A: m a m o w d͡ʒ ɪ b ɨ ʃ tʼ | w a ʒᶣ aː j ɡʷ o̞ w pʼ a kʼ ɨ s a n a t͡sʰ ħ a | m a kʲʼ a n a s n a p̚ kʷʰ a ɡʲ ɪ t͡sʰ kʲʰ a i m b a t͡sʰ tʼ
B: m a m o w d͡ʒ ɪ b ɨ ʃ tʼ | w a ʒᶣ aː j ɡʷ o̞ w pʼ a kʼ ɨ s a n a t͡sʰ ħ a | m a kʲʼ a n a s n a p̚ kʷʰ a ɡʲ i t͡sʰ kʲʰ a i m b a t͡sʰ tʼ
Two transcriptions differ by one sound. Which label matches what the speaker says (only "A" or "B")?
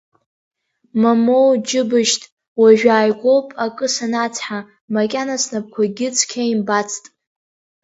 A